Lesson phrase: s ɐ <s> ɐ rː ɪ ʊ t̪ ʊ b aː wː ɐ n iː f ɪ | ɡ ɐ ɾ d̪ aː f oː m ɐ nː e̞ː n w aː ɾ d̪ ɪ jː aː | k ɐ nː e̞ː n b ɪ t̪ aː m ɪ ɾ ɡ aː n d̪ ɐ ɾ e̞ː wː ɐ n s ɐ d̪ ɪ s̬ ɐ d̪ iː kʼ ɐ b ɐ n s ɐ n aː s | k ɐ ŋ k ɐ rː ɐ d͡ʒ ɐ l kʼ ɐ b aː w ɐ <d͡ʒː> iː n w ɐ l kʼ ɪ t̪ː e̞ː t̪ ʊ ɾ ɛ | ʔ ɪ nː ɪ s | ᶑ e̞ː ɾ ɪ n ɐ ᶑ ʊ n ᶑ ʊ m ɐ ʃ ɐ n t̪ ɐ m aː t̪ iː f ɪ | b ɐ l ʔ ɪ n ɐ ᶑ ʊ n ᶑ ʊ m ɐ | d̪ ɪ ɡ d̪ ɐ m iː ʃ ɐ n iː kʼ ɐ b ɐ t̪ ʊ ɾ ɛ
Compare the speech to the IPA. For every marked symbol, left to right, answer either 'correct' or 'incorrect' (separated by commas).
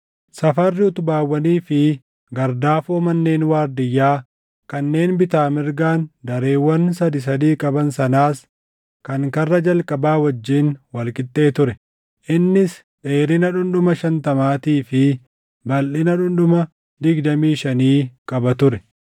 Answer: incorrect, correct